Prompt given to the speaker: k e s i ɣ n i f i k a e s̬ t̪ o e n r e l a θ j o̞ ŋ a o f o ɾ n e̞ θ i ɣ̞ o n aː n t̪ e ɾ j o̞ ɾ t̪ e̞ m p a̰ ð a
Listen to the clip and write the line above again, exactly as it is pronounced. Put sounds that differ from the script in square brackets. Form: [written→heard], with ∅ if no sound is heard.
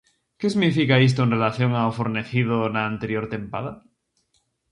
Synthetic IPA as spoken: k e s i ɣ n i f i k a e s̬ t̪ o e n r e l a θ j o̞ ŋ a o f o ɾ n e̞ θ i [ɣ̞→ð̞] o n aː n t̪ e ɾ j o̞ ɾ t̪ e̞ m p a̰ ð a